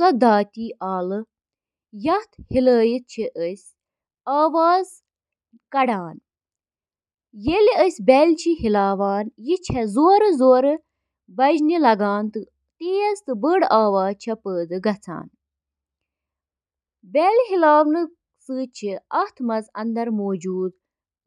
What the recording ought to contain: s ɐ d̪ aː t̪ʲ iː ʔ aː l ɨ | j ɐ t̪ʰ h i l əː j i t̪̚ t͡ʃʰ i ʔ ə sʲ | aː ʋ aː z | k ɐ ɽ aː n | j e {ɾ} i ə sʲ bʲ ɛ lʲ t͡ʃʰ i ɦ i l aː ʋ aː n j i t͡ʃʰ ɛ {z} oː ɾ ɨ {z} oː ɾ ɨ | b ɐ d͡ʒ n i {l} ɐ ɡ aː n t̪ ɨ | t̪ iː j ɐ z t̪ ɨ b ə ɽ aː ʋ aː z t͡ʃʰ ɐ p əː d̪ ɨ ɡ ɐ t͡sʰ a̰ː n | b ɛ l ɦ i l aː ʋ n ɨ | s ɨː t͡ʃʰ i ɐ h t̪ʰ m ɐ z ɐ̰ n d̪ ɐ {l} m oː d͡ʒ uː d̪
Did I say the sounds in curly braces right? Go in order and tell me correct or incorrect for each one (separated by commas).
incorrect, correct, correct, correct, incorrect